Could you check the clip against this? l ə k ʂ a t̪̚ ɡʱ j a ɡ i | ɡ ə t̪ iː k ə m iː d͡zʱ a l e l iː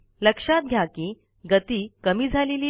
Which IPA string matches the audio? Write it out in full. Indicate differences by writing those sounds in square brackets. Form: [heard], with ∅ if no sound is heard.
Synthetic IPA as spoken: l ə k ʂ a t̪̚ ɡʱ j a [k] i | ɡ ə t̪ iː k ə m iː d͡zʱ a l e l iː